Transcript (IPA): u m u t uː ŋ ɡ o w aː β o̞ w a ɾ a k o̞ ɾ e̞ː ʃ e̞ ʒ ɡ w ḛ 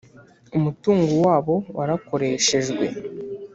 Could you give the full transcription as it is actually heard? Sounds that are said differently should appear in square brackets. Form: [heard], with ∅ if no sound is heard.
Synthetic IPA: u m u t uː ŋ ɡ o w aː β o̞ w a ɾ a k o̞ ɾ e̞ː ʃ e̞ ʒ ɡ w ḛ